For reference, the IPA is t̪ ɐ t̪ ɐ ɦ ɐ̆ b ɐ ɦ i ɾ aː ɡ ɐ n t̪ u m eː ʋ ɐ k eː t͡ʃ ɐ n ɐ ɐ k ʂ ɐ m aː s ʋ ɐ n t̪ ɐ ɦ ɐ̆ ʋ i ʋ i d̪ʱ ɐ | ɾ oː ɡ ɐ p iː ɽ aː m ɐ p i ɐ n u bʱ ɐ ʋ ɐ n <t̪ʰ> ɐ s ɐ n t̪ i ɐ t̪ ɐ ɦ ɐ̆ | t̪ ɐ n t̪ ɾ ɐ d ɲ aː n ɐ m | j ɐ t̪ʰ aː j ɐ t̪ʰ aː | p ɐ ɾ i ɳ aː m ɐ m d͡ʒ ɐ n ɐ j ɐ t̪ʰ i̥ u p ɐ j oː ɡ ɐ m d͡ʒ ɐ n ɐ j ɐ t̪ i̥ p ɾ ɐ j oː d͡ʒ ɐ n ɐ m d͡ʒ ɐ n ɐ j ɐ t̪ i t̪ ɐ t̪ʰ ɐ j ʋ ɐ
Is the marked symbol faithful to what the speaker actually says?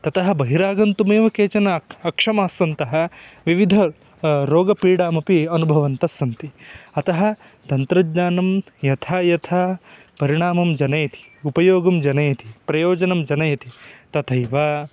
no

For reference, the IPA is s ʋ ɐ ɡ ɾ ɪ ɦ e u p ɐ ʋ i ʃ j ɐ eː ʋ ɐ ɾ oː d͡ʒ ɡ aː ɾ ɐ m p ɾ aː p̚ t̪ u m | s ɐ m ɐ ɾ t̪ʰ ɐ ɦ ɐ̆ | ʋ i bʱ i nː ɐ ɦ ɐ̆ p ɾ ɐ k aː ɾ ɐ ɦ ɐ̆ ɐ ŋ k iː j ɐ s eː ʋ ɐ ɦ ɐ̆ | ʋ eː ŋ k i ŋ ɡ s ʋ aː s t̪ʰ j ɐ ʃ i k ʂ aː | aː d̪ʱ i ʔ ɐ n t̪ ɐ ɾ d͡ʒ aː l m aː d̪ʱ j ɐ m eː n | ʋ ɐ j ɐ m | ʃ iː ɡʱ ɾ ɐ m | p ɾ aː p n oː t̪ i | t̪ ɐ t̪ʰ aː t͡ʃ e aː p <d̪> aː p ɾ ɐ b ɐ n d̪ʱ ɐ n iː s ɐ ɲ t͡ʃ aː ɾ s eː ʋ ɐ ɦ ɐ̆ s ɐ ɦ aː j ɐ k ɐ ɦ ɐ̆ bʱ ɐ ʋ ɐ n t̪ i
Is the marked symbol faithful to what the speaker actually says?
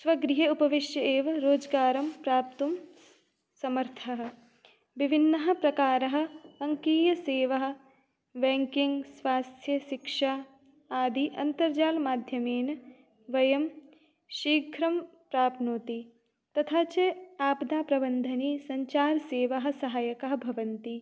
yes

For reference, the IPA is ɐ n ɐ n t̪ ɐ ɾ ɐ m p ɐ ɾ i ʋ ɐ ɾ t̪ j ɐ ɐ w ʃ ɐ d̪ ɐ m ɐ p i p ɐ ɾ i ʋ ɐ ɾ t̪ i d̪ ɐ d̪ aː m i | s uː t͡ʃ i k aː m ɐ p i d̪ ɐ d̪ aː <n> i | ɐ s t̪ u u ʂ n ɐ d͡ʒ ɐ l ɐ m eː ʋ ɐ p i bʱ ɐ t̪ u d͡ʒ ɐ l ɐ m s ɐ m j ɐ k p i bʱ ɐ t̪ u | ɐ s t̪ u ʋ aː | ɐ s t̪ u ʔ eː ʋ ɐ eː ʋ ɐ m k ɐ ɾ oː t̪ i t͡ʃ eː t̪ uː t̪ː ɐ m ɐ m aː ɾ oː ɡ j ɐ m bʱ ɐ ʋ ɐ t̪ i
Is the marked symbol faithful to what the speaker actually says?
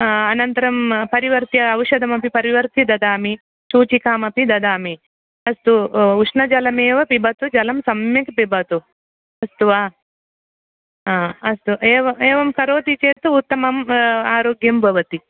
no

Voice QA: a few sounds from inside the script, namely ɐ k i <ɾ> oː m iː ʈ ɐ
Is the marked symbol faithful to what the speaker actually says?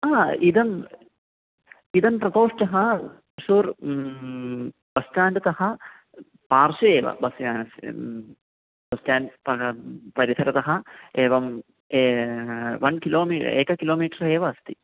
no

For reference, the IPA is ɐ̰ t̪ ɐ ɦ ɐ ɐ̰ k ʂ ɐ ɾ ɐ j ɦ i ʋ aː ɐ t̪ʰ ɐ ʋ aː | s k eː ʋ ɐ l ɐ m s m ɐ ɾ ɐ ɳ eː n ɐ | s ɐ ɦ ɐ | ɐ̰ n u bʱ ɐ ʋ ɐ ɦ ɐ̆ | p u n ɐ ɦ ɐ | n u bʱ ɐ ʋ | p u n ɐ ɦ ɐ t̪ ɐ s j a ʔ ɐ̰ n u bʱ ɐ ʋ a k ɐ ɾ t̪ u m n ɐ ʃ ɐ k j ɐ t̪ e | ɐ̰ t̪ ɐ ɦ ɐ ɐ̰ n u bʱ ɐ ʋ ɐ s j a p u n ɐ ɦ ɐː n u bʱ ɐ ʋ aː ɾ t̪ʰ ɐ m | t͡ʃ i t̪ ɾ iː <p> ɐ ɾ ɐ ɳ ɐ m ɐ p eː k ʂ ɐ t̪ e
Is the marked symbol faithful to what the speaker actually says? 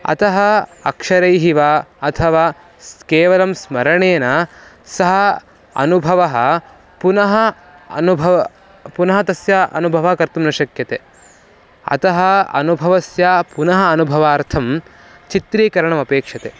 no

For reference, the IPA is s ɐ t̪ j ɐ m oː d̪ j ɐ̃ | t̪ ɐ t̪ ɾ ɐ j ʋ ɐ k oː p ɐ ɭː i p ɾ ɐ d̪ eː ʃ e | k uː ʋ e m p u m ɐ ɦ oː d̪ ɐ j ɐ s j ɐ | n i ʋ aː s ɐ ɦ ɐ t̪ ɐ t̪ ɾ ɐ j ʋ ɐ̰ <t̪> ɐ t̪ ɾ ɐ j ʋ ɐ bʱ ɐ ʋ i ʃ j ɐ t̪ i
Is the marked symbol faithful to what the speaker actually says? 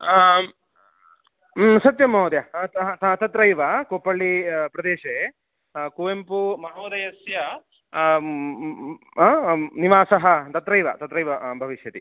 yes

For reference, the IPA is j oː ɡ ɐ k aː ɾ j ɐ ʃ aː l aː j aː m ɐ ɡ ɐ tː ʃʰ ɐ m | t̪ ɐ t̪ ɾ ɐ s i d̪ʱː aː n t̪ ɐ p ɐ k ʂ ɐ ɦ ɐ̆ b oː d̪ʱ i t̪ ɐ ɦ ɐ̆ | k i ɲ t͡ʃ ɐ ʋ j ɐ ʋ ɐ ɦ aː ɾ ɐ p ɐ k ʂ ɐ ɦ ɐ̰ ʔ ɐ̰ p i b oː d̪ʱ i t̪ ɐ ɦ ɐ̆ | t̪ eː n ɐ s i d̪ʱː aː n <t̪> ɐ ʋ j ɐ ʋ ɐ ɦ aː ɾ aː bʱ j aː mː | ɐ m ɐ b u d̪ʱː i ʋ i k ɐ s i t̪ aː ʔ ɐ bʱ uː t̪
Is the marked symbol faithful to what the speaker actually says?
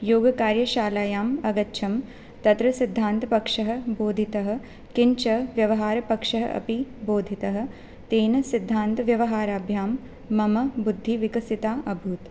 yes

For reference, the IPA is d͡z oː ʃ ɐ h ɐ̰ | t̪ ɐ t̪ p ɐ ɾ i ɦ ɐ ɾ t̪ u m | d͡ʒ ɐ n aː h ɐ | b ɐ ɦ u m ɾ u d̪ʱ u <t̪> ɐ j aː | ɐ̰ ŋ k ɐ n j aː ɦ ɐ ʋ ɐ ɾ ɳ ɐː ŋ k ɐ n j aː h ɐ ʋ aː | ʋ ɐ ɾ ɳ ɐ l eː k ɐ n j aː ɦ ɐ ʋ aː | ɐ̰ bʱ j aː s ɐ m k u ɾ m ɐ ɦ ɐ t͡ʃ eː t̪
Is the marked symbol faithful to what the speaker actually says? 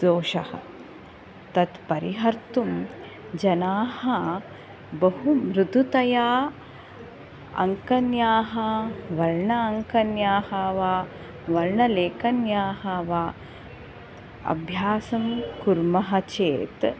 yes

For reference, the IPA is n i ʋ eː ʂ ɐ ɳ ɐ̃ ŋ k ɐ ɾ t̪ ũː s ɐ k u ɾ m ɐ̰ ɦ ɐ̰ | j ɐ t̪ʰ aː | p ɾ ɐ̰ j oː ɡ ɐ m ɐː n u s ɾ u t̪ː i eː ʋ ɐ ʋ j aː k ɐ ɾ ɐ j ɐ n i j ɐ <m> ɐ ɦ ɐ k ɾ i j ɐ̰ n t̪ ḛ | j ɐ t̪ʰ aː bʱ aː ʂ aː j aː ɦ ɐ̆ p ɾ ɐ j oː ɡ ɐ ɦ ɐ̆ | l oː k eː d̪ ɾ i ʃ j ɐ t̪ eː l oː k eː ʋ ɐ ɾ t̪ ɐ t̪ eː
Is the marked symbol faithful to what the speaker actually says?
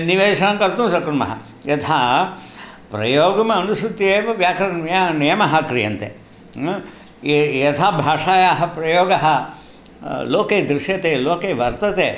yes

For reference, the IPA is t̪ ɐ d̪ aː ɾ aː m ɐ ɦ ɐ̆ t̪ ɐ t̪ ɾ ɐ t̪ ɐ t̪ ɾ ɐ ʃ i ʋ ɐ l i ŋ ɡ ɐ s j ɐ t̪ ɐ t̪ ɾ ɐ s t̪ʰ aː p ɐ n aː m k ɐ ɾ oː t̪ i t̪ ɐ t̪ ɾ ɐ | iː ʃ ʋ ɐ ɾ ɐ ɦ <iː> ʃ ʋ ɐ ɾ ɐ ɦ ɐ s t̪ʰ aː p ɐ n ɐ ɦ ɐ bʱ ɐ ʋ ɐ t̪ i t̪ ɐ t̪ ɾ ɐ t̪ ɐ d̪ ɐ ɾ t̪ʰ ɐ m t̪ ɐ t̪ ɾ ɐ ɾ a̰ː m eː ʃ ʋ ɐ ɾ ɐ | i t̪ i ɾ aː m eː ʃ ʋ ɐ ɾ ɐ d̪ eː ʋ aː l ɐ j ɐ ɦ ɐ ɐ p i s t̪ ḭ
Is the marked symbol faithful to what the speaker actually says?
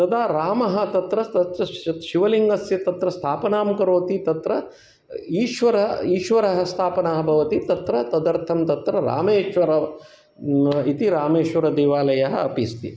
yes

